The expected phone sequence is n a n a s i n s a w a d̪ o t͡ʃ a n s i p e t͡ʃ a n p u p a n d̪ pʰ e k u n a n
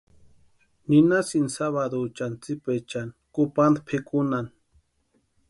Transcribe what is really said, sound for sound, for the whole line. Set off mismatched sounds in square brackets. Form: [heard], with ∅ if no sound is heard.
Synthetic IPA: n [i] n a s i n s a [β] a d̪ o t͡ʃ a n [t͡s] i p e t͡ʃ a n [k] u p a n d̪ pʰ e k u n a n